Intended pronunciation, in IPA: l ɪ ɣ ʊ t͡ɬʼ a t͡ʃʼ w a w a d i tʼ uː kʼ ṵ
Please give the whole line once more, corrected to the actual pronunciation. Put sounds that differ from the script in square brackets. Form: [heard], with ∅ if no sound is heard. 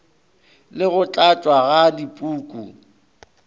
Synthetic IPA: l ɪ ɣ ʊ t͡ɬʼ a t͡ʃʼ w a [ɣ] a d i [pʼ] uː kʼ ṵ